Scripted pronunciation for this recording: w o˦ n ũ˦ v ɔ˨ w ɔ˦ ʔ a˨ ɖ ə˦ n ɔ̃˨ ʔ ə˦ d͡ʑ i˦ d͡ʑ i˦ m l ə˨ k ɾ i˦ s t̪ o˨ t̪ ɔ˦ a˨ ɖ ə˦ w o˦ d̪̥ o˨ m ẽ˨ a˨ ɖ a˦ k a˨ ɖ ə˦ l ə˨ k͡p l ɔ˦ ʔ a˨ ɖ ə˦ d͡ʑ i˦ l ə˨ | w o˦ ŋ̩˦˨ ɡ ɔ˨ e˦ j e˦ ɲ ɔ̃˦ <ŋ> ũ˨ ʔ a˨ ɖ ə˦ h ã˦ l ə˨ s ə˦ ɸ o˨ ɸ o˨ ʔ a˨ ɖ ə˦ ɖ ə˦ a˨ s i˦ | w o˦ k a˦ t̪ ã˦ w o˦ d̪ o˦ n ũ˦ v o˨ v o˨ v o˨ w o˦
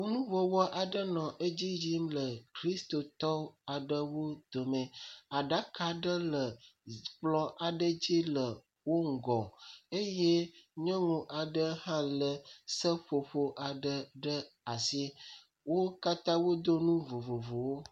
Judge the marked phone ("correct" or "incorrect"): correct